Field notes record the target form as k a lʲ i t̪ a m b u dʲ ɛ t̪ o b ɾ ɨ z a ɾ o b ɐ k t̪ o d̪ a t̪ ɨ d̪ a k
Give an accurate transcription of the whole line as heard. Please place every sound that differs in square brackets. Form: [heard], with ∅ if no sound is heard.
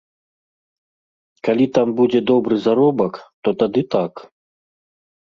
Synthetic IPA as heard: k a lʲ i t̪ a m b u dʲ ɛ [d̪] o b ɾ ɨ z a ɾ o b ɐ k t̪ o [t̪] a [d̪] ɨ [t̪] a k